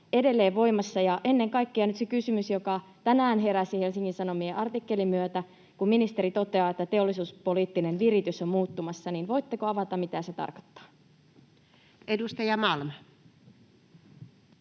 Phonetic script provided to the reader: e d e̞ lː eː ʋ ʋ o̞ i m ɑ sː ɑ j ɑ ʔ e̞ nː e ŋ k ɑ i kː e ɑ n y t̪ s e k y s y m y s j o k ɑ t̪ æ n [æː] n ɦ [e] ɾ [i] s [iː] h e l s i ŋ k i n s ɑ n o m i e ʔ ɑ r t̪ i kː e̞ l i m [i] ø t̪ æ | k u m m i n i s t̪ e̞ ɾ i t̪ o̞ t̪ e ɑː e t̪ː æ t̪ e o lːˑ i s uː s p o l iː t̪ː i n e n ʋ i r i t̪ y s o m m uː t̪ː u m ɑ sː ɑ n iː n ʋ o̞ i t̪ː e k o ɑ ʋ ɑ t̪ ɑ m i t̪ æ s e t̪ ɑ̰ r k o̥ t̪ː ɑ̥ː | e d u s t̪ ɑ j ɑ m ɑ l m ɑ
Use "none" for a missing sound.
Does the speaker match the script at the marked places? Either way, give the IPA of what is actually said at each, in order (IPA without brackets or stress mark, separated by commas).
æː, e, æ, i, y